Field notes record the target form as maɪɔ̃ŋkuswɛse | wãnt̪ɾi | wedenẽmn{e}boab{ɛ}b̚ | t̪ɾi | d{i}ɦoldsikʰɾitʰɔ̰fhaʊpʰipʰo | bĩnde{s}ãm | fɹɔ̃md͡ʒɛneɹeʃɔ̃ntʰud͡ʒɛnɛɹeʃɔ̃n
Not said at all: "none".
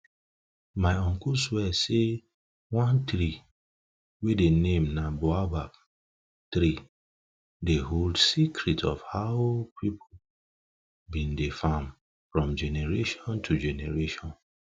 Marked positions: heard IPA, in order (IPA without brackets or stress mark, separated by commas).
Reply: a, a, e, f